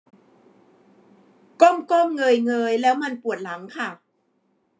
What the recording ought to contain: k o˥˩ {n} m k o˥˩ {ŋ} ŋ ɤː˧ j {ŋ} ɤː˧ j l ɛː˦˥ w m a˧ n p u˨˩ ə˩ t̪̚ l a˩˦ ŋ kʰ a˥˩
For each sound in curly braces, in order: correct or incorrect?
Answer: incorrect: none, incorrect: m, correct

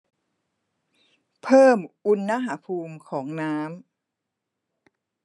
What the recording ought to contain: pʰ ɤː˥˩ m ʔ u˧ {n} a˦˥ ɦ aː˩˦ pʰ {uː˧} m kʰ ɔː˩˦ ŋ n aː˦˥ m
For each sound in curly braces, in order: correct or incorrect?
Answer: incorrect: nː, correct

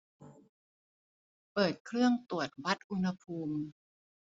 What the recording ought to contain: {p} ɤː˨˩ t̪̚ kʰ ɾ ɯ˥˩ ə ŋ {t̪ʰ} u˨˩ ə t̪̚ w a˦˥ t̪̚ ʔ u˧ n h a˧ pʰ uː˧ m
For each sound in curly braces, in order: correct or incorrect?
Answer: correct, incorrect: t̪

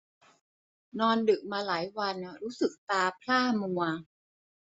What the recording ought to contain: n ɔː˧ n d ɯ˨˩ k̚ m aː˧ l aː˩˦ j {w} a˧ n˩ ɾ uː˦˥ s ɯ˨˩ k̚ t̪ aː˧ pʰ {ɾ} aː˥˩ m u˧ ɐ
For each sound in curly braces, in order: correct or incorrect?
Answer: correct, incorrect: l

